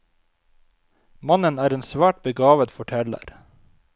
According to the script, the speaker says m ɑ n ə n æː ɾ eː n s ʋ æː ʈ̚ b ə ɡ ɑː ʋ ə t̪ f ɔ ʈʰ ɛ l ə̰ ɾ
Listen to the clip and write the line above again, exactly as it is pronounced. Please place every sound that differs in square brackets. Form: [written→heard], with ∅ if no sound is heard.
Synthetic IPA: m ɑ n ə n æː ɾ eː n s ʋ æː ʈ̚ b ə ɡ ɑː ʋ ə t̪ f ɔ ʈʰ ɛ l ə̰ ɾ